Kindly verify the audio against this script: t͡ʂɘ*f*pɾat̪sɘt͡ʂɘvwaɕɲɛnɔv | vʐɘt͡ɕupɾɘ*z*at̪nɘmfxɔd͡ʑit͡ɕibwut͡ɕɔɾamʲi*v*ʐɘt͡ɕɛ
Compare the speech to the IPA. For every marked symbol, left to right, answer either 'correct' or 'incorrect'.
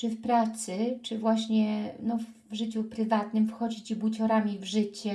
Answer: correct, incorrect: v, correct

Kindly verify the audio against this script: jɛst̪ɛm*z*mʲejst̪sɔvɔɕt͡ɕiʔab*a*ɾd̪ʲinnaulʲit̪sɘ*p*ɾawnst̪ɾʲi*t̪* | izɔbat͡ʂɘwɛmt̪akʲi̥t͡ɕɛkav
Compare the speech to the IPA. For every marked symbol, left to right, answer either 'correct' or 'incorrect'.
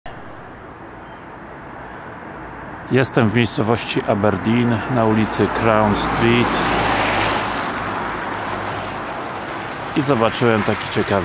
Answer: incorrect: v, incorrect: ɛ, incorrect: k, correct

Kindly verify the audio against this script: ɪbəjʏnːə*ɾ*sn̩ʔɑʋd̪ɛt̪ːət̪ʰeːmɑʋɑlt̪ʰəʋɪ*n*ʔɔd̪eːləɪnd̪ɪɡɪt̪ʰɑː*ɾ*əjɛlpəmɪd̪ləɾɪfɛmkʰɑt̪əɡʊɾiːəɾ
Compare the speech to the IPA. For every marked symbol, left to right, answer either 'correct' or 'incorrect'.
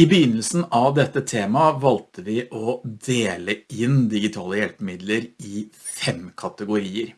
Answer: incorrect: l, incorrect: none, incorrect: l

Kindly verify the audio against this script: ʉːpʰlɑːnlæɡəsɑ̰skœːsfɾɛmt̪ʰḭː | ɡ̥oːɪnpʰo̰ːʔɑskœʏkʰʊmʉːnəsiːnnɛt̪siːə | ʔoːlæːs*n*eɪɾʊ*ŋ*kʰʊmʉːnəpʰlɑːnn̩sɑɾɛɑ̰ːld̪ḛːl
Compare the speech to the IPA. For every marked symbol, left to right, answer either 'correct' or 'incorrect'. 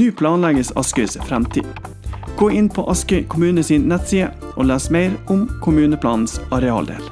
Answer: incorrect: m, incorrect: m

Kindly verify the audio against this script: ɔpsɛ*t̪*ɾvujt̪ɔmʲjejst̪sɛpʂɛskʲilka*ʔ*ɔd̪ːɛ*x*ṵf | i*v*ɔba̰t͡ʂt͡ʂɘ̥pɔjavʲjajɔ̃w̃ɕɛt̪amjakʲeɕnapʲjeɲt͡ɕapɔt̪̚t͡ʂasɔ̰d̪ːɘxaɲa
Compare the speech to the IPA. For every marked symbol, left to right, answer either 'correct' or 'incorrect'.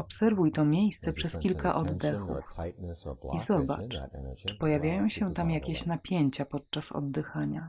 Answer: incorrect: none, correct, correct, incorrect: z

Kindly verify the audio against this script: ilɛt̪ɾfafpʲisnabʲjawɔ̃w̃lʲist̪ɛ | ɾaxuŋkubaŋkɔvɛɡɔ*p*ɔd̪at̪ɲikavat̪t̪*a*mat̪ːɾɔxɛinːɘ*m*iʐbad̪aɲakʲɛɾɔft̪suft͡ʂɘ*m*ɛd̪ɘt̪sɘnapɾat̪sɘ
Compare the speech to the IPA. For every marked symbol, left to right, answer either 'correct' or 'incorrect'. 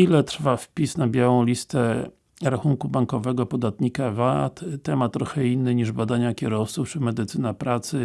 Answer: correct, incorrect: ɛ, incorrect: ɲ, correct

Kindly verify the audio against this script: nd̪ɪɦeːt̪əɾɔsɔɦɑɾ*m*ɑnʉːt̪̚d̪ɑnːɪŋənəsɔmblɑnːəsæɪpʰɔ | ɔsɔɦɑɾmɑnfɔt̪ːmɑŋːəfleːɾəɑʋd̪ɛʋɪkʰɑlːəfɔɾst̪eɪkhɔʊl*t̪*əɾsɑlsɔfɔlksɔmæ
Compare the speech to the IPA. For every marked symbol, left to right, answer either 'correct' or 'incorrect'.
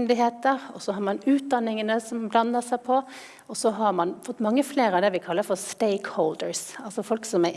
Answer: correct, incorrect: d̪

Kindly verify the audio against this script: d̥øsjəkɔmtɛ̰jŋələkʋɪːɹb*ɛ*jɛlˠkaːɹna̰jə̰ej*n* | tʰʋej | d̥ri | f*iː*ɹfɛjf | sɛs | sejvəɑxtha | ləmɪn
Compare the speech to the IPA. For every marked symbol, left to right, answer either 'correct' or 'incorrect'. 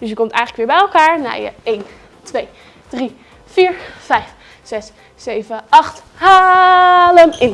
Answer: correct, correct, correct

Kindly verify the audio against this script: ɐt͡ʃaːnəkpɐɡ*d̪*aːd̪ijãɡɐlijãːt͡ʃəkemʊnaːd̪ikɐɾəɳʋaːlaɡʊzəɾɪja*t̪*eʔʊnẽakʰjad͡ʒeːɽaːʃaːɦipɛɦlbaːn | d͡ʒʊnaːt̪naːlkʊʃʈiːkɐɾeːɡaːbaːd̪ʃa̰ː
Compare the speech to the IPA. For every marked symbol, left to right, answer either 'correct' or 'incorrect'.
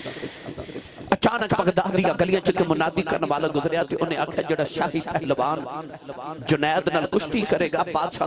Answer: correct, correct

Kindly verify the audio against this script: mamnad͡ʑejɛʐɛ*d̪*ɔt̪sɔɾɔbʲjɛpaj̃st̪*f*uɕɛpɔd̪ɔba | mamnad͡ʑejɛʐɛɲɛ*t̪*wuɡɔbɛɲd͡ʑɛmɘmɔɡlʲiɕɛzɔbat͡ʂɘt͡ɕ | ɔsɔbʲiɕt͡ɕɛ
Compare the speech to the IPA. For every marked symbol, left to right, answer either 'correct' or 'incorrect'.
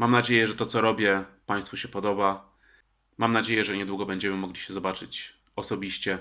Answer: incorrect: t̪, correct, incorrect: d̪

